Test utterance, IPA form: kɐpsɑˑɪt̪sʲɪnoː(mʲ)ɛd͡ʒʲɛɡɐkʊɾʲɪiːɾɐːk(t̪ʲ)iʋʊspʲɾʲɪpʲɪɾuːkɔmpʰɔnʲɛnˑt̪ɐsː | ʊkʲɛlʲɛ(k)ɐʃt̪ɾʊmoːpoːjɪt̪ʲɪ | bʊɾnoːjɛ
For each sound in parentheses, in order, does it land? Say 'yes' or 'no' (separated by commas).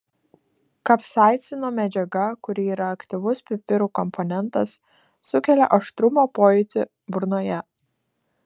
yes, yes, no